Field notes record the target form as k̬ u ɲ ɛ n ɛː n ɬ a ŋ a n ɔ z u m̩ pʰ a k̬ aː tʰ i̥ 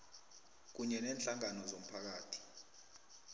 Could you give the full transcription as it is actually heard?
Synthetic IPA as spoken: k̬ u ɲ ɛ n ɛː n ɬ a ŋ a n ɔ z o m̩ pʰ a k̬ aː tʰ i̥